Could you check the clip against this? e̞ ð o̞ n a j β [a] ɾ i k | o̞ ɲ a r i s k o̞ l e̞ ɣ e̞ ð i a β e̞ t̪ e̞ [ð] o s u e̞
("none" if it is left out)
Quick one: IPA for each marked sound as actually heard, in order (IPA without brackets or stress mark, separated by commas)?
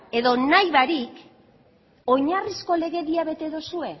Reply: a, ð